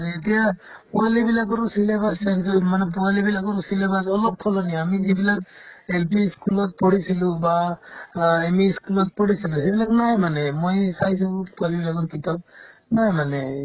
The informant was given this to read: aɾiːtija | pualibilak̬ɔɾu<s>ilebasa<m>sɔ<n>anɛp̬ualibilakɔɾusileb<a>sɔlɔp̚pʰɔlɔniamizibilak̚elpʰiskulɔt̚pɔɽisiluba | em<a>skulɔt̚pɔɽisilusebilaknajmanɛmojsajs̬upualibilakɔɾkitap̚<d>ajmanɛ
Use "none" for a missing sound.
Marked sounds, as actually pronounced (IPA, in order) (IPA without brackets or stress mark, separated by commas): s, n, m, a, i, n